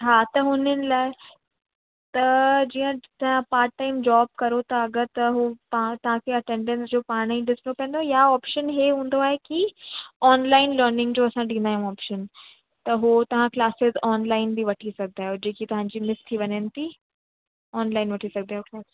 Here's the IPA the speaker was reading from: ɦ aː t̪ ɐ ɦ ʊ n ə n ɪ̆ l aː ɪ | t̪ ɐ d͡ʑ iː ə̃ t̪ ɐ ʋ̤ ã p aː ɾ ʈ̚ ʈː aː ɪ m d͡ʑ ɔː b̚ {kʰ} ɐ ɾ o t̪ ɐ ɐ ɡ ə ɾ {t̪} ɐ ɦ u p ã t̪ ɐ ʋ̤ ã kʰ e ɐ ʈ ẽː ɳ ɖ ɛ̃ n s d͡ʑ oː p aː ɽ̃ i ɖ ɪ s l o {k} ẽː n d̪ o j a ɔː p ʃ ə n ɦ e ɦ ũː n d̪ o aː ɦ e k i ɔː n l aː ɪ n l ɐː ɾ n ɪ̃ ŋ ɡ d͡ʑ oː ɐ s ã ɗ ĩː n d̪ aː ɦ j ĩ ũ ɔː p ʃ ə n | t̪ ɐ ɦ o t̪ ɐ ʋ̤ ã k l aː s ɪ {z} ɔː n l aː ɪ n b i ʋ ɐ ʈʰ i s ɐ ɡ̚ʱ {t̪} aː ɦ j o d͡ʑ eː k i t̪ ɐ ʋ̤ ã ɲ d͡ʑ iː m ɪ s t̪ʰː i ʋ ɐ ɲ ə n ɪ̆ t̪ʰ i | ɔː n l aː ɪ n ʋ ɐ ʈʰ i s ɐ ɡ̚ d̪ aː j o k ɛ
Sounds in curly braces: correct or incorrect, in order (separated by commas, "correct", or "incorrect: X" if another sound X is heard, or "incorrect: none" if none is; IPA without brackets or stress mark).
incorrect: k, correct, incorrect: p, correct, incorrect: d̪